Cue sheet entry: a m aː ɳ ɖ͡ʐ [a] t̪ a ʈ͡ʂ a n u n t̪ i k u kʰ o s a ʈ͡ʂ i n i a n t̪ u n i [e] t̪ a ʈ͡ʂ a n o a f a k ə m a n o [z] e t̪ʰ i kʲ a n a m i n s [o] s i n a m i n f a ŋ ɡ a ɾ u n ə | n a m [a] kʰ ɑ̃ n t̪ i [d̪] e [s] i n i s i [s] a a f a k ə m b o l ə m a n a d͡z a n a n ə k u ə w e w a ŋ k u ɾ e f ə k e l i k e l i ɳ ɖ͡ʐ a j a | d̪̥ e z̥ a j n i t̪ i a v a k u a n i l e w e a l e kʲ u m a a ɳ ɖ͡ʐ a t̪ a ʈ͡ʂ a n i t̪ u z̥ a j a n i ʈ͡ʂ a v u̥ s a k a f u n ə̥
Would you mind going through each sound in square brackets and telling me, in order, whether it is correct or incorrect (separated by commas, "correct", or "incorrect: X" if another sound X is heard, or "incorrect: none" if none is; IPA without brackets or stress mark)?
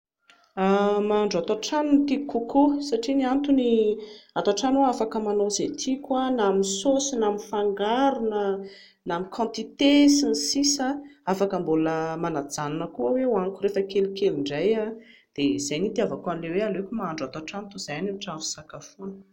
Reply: correct, incorrect: a, correct, correct, incorrect: i, incorrect: t̪, correct, correct